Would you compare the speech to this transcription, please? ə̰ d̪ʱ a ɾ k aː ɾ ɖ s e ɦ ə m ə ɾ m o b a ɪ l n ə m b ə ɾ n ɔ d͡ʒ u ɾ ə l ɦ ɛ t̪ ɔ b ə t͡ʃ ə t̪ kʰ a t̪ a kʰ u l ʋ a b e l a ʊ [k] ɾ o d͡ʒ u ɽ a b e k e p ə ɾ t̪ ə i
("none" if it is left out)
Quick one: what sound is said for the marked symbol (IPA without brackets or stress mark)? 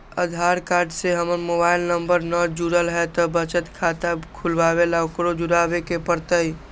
k